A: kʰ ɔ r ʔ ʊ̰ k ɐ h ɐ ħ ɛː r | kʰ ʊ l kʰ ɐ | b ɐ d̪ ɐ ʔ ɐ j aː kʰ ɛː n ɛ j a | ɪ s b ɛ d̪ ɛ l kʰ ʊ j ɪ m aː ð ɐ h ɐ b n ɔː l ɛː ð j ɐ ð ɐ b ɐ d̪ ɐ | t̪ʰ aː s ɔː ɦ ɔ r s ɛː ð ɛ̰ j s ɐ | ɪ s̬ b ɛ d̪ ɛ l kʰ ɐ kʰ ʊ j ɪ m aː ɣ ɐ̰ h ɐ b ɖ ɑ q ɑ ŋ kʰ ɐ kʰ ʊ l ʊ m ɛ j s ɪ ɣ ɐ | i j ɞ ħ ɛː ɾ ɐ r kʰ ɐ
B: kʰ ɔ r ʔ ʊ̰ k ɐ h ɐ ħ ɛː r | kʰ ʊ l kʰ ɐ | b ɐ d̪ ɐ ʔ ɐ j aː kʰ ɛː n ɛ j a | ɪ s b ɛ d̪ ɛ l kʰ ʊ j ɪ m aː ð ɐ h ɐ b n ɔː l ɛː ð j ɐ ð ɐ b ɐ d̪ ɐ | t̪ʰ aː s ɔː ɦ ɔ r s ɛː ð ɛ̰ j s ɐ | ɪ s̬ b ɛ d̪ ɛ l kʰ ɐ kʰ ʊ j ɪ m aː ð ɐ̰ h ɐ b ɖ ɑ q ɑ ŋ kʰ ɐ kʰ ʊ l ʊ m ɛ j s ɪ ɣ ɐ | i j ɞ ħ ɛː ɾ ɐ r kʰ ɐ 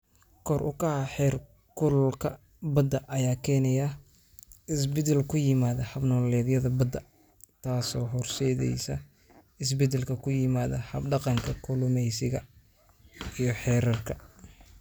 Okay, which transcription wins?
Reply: B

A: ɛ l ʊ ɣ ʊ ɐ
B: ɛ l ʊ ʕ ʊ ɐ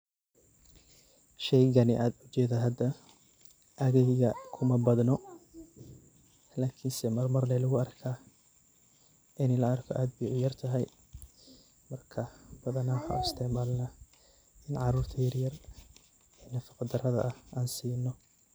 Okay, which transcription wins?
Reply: A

